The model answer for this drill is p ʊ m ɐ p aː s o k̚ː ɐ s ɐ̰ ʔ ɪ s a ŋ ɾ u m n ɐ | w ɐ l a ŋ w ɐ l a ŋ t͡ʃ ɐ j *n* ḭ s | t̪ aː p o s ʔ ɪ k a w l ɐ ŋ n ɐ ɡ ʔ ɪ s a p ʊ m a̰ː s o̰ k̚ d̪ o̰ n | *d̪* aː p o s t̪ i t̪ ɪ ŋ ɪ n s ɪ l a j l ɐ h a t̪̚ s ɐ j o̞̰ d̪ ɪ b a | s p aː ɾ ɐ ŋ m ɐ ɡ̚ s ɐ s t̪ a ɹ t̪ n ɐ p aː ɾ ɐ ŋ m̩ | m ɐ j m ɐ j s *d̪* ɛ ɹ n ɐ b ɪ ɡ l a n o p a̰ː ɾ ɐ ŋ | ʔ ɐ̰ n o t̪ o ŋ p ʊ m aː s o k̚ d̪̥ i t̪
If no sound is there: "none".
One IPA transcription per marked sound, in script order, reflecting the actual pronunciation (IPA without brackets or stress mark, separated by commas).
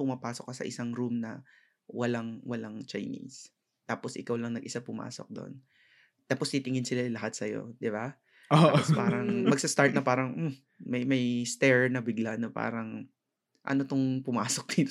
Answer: n, t̪, t̪